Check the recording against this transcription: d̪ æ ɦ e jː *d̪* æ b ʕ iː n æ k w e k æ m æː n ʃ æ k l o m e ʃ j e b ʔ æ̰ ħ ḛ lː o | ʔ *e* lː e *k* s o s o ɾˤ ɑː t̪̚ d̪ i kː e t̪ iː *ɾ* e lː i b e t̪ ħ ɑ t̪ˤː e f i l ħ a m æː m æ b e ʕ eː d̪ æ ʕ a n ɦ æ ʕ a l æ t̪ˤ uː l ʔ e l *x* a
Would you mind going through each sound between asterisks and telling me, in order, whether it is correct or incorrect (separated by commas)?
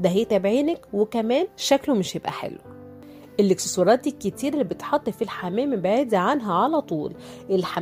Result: incorrect, correct, correct, correct, incorrect